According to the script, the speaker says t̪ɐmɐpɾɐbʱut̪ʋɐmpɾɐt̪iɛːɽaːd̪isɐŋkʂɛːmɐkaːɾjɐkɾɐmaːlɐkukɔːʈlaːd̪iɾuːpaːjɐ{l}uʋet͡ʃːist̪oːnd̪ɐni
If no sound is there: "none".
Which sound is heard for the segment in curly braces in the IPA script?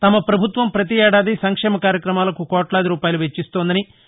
l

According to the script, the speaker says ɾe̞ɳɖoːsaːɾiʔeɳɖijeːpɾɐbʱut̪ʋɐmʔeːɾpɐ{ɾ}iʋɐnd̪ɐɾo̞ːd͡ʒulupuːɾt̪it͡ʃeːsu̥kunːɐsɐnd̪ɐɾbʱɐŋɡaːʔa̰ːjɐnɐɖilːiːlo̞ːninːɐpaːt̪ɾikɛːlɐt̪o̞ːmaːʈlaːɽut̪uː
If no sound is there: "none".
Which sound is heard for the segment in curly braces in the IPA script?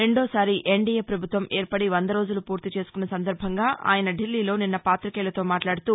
ɽ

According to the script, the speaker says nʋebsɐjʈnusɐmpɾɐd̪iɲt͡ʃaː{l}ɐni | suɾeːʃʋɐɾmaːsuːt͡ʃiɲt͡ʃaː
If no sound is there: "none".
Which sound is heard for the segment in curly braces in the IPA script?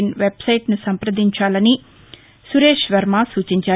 l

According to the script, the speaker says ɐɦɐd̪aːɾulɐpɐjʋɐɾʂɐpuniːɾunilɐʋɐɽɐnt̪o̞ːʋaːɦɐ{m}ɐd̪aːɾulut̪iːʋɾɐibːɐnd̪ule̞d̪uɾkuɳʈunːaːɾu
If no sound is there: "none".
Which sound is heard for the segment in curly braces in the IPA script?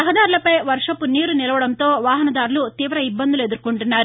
n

